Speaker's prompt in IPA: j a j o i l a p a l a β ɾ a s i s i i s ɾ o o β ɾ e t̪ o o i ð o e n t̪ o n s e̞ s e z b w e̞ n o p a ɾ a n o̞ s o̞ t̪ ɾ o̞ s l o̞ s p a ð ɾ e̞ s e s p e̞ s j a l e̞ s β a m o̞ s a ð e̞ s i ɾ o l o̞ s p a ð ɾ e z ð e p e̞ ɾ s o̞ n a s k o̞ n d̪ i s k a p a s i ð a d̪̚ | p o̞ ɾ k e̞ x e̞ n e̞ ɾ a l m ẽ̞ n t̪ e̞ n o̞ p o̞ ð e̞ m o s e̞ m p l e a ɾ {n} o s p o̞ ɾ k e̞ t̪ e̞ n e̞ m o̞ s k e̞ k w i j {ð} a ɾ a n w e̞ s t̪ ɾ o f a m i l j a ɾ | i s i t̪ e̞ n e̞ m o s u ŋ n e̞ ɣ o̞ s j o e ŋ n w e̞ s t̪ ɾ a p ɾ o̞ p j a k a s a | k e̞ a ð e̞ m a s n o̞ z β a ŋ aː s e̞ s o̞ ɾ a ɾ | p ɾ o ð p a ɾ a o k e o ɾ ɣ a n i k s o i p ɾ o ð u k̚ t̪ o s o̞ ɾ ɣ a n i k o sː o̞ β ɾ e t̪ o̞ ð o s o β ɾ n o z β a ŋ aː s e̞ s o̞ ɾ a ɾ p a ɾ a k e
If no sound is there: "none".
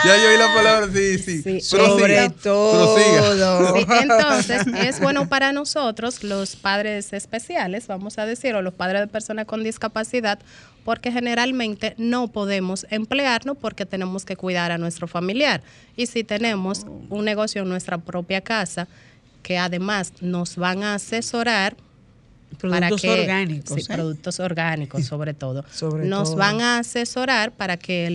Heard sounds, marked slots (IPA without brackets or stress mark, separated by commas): n, ð